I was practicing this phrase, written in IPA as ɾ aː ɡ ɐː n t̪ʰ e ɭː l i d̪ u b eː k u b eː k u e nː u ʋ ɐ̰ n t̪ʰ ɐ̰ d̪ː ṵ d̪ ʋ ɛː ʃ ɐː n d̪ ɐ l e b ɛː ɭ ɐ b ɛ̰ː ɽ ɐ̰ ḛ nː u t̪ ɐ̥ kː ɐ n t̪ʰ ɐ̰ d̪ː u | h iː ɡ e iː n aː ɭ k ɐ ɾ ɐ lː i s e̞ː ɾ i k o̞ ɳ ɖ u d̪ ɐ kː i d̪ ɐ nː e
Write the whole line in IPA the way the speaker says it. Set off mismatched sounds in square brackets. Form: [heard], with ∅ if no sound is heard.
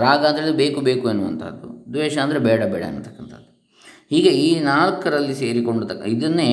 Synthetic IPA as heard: ɾ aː ɡ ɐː n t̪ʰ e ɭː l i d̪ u b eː k u b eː k u e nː u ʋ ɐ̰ n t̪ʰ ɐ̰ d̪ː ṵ d̪ ʋ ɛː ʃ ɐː n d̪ ɐ [ɾ] e b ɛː [ɽ] ɐ b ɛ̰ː ɽ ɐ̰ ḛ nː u t̪ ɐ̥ kː ɐ n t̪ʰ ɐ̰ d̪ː u | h iː ɡ e iː n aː ɭ k ɐ ɾ ɐ lː i s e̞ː ɾ i k o̞ ɳ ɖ u [t̪] ɐ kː i d̪ ɐ nː e